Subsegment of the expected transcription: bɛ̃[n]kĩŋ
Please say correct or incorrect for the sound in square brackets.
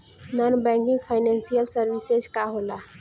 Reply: incorrect